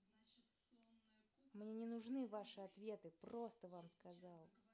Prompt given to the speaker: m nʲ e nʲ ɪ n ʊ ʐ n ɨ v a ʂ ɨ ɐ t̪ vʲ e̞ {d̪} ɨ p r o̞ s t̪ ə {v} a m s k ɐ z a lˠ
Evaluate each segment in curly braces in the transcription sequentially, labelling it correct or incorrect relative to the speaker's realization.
incorrect: t̪, correct

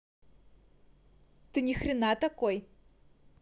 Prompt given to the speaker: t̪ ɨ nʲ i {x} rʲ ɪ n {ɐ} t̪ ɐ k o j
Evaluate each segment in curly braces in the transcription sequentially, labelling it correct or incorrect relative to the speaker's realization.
correct, incorrect: a

